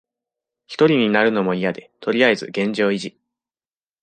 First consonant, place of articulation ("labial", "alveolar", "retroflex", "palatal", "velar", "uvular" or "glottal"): palatal